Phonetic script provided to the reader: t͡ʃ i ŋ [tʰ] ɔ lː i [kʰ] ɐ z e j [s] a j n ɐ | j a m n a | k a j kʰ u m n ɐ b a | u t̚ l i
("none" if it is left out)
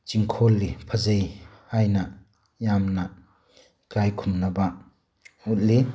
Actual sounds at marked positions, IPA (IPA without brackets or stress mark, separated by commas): kʰ, pʰ, h